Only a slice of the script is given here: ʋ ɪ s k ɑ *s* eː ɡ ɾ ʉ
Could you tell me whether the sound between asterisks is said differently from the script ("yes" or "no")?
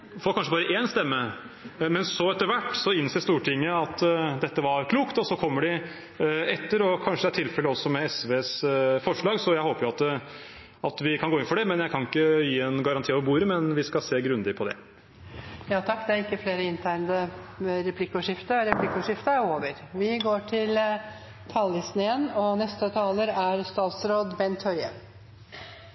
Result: no